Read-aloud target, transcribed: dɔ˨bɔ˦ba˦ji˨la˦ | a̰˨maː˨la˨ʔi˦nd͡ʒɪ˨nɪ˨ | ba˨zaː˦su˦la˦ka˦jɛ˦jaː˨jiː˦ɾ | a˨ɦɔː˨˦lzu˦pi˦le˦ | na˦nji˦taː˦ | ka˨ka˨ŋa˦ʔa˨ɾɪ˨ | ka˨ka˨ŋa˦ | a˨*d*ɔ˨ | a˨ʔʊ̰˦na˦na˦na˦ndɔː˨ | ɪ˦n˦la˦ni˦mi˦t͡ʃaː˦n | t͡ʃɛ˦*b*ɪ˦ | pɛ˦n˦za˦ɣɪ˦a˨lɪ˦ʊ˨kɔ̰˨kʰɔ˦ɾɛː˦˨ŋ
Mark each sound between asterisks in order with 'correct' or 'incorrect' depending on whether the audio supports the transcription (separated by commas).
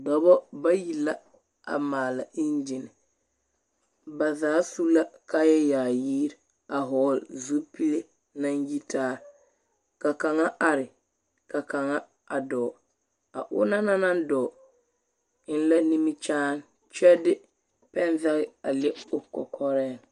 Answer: correct, incorrect